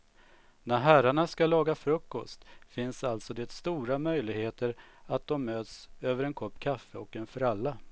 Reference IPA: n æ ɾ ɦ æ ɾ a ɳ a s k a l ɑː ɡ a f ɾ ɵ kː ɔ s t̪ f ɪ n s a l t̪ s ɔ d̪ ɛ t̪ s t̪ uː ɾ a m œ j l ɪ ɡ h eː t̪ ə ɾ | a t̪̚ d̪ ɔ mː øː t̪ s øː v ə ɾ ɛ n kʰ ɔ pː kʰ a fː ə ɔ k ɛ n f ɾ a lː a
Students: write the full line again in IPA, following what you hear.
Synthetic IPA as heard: n æ ɾ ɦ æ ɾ a ɳ a s k a l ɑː ɡ a f ɾ ɵ kː ɔ s t̪ f ɪ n s a l t̪ s ɔ d̪ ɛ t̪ s t̪ uː ɾ a m œ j l ɪ ɡ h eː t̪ ə ɾ | a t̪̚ d̪ ɔ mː øː t̪ s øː v ə ɾ ɛ n kʰ ɔ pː kʰ a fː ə ɔ k ɛ n f ɾ a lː a